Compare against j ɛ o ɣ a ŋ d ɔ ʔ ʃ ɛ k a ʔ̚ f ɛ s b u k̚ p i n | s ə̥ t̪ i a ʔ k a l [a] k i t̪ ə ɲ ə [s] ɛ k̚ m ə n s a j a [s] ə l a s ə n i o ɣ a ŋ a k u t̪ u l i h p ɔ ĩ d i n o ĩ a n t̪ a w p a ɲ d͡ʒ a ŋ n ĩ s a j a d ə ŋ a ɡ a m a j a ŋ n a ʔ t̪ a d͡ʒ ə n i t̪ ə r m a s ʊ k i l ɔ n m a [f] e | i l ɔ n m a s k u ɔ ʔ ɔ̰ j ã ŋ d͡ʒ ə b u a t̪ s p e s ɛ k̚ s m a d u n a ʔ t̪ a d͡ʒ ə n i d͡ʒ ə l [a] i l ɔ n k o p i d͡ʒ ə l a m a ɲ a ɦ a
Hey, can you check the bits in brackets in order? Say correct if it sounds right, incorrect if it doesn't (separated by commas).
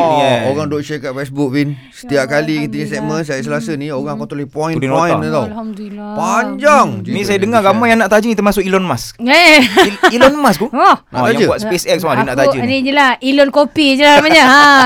incorrect, correct, correct, incorrect, correct